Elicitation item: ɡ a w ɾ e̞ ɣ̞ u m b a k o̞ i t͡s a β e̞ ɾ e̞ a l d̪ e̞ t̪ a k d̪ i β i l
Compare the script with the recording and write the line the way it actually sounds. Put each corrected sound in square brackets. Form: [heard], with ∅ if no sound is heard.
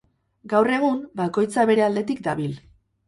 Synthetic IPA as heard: ɡ a w [r] e̞ ɣ̞ u m b a k o̞ [j] t͡s a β e̞ ɾ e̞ a l d̪ e̞ t̪ [i] k d̪ [a] β i l